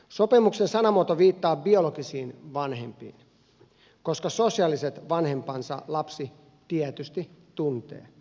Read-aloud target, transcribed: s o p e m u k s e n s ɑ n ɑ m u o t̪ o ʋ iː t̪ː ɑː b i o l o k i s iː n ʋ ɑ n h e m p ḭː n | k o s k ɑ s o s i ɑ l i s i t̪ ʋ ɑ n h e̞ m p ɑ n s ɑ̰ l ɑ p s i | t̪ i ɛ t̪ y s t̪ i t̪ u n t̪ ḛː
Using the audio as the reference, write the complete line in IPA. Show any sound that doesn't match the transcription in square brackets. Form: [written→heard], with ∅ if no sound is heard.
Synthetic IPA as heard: s o p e m u k s e n s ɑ n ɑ m u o t̪ o ʋ iː t̪ː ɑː b i o l o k i s iː n ʋ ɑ n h e m p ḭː n | k o s k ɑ s o s i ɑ l i s [i→e] t̪ ʋ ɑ n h e̞ m p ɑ n s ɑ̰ l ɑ p s i | t̪ i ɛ t̪ y s t̪ i t̪ u n t̪ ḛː